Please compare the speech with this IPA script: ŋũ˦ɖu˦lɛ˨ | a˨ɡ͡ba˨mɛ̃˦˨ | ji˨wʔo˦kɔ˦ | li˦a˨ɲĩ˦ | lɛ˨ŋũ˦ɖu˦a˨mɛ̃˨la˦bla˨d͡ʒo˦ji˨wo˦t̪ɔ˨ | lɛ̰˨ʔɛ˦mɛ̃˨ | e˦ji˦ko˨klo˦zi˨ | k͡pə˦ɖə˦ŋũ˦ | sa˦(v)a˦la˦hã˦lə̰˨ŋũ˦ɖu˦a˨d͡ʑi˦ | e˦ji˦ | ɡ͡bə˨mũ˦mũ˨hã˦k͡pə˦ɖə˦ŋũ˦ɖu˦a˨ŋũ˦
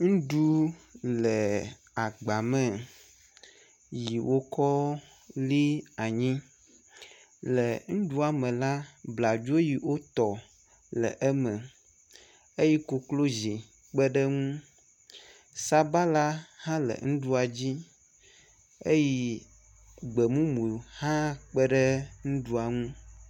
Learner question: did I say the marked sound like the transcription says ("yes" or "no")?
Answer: no